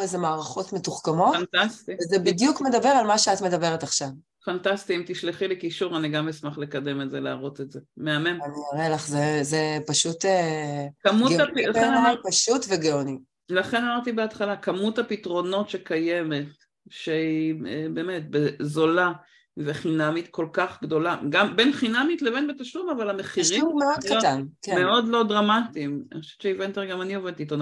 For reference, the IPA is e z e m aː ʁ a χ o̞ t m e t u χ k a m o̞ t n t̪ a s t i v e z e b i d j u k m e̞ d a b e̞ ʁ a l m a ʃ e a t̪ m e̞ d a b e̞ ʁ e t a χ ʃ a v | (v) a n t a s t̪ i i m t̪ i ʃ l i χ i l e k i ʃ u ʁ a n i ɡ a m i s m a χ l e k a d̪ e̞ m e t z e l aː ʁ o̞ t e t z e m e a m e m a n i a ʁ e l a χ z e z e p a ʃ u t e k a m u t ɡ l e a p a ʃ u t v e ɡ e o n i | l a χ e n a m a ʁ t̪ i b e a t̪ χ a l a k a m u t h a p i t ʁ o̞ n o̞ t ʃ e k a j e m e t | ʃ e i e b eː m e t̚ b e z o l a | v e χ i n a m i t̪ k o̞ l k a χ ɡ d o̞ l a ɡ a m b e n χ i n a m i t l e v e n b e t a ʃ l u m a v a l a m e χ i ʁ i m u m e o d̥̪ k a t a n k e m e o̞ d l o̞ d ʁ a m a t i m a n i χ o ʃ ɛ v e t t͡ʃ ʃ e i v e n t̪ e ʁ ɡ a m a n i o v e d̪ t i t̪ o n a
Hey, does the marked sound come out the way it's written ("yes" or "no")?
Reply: no